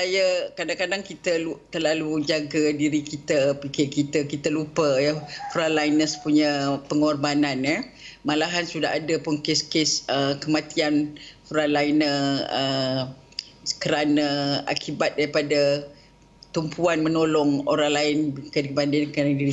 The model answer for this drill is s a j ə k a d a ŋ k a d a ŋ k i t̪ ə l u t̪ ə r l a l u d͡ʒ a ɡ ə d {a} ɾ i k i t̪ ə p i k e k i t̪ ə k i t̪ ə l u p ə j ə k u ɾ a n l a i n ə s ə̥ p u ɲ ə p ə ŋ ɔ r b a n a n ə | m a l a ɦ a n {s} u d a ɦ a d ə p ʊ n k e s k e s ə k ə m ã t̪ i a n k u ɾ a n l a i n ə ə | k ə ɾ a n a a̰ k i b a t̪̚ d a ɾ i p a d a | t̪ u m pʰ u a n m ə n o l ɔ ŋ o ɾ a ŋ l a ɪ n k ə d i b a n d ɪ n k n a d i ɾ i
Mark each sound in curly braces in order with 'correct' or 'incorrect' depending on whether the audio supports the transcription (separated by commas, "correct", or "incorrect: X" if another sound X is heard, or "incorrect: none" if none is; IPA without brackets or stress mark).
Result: incorrect: i, correct